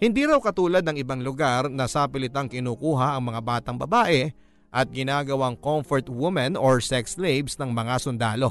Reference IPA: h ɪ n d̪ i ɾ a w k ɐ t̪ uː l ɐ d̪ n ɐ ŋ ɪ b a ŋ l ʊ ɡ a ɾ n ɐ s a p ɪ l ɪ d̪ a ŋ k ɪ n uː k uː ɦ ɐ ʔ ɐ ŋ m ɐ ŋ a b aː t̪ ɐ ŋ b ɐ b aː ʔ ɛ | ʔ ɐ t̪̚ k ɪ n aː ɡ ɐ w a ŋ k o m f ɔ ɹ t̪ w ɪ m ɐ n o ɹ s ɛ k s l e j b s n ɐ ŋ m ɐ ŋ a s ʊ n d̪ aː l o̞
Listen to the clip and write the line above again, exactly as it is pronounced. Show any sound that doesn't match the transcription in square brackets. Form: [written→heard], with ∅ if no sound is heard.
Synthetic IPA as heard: h ɪ n d̪ i ɾ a w k ɐ t̪ uː l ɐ d̪ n ɐ ŋ ɪ b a ŋ l ʊ ɡ a ɾ n ɐ s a p ɪ l ɪ [d̪→t̪] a ŋ k ɪ n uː k uː ɦ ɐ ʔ ɐ ŋ m ɐ ŋ a b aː t̪ ɐ ŋ b ɐ b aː ʔ ɛ | ʔ ɐ t̪̚ [k→ɡ] ɪ n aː ɡ ɐ w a ŋ k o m f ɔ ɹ t̪ w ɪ m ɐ n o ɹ s ɛ k s l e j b s n ɐ ŋ m ɐ ŋ a s ʊ n d̪ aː l o̞